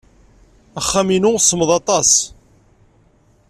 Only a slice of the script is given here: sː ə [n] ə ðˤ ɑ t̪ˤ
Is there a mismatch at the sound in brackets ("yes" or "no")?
yes